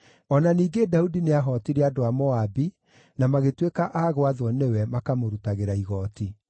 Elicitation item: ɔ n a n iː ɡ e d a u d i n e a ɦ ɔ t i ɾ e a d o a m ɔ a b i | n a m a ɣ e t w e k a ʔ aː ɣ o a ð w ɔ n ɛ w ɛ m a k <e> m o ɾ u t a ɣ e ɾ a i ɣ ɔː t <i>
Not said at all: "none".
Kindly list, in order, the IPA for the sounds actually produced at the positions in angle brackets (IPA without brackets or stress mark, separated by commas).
a, i